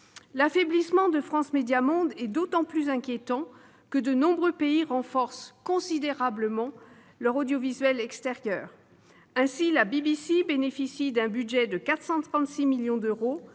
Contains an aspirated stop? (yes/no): no